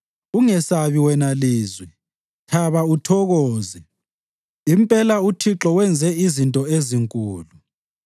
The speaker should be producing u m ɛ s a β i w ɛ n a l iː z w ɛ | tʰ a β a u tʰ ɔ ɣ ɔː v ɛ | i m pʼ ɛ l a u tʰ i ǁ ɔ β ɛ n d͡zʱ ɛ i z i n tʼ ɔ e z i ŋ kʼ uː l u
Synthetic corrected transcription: u ŋ ɛ s a β i w ɛ n a l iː z w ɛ | tʰ a β a u tʰ ɔ ɣ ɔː z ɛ | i m pʼ ɛ l a u tʰ i ǁ ɔ w ɛ n d͡zʱ ɛ i z i n tʼ ɔ e z i ŋ kʼ uː l u